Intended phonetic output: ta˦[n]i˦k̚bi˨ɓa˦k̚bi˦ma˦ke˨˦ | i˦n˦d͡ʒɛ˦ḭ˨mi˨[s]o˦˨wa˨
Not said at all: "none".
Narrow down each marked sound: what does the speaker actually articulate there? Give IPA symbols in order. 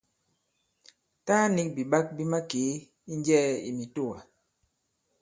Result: n, t

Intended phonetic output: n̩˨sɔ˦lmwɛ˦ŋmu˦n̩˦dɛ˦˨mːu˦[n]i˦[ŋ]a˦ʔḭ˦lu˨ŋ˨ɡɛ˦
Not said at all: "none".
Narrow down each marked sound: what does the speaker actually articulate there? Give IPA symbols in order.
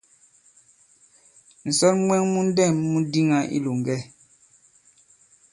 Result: d, ŋ

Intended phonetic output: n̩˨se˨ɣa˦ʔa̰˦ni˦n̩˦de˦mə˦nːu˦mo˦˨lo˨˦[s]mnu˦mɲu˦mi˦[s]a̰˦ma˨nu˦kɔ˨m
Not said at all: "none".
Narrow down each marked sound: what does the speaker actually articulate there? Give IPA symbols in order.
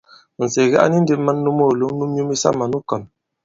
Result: none, s

